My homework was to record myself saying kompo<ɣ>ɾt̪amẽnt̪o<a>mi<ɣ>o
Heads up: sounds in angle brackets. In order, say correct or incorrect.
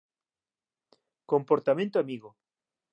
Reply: incorrect: none, correct, correct

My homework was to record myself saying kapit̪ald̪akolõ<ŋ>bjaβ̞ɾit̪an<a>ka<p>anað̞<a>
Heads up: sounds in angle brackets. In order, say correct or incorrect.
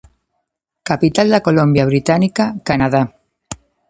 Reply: incorrect: m, incorrect: i, incorrect: k, correct

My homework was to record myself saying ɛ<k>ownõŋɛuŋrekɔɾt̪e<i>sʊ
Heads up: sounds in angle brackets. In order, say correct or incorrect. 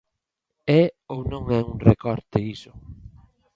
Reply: incorrect: none, correct

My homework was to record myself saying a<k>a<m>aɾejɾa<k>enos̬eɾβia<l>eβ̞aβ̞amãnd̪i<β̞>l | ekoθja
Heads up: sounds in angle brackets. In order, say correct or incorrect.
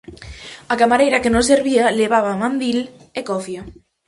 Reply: correct, correct, correct, correct, incorrect: none

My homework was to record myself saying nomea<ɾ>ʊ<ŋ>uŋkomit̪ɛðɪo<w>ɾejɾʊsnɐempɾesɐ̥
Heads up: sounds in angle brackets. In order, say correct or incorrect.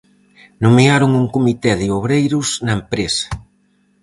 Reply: correct, correct, incorrect: β

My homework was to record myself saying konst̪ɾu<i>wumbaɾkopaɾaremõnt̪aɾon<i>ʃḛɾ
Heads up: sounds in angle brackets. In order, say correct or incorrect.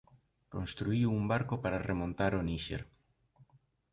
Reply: correct, correct

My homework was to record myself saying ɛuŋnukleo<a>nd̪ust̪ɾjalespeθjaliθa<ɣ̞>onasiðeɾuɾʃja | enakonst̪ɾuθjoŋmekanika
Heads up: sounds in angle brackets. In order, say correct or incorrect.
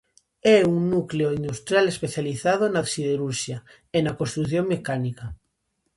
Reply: incorrect: i, incorrect: ð̞

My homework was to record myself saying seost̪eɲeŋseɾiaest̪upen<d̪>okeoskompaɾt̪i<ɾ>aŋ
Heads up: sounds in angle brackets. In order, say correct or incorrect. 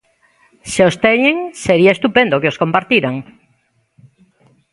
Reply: correct, correct

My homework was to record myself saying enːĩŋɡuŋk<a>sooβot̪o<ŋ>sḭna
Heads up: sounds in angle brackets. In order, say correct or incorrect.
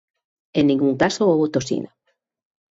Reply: correct, incorrect: none

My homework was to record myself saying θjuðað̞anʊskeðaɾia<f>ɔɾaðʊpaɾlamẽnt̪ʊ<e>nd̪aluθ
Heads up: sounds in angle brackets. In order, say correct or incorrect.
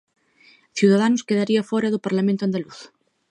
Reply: correct, incorrect: a

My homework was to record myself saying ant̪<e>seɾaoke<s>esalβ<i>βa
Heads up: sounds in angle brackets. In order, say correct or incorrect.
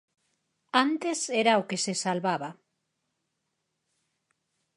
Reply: correct, correct, incorrect: a

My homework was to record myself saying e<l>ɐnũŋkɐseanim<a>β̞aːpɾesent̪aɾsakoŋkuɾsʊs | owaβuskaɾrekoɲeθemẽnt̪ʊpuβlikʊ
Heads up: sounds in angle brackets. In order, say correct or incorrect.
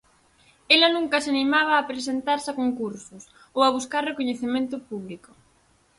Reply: correct, correct

